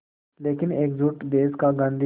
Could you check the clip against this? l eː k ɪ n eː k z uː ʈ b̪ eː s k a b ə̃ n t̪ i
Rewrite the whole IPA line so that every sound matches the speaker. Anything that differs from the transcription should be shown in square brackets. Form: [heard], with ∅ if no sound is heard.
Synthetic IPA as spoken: l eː k ɪ n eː k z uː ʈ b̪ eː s k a [ɡ] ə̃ n [d̪] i